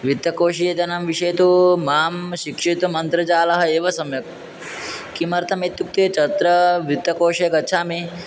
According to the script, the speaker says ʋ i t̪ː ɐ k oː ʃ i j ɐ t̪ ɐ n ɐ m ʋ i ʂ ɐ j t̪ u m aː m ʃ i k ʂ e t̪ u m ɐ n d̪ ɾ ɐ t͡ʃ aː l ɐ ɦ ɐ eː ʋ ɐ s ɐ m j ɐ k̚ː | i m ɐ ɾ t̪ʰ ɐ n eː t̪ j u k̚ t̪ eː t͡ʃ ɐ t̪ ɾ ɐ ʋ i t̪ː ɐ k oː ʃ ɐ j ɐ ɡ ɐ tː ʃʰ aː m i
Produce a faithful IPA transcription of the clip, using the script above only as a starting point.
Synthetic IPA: ʋ i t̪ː ɐ k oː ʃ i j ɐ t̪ ɐ n ɐ m ʋ i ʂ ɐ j t̪ u m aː m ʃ i k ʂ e t̪ u m ɐ n t̪ ɾ ɐ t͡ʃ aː l ɐ ɦ ɐ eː ʋ ɐ s ɐ m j ɐ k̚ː | i m ɐ ɾ t̪ʰ ɐ m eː t̪ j u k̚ t̪ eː t͡ʃ ɐ t̪ ɾ ɐ ʋ i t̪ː ɐ k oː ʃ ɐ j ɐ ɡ ɐ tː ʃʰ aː m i